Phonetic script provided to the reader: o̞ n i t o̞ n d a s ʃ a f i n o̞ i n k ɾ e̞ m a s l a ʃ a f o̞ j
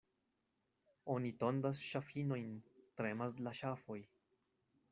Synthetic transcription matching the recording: o̞ n i t o̞ n d a s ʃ a f i n o̞ j n t ɾ e̞ m a s l a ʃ a f o̞ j